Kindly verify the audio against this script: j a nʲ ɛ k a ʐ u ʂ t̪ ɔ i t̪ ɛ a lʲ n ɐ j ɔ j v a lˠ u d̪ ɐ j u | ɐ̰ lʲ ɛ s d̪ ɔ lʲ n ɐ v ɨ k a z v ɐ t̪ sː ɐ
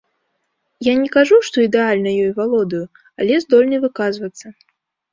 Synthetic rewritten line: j a nʲ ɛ k a ʐ u ʂ t̪ ɔ i d̪ ɛ a lʲ n ɐ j ɔ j v a lˠ ɔ d̪ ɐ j u | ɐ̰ lʲ ɛ z d̪ ɔ lʲ n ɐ v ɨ k a z v ɐ t̪ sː ɐ